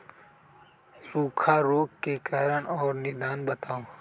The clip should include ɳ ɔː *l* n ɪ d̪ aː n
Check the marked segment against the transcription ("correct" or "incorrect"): incorrect